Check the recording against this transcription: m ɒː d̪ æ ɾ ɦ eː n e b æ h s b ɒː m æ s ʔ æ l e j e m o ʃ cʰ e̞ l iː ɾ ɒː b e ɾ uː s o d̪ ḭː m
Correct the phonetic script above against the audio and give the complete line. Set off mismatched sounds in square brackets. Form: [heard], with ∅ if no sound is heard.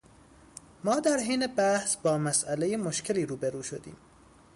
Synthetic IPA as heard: m ɒː d̪ æ ɾ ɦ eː n e b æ h s b ɒː m æ s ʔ æ l e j e m o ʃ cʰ e̞ l iː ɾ [uː] b e ɾ uː [ʃ] o d̪ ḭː m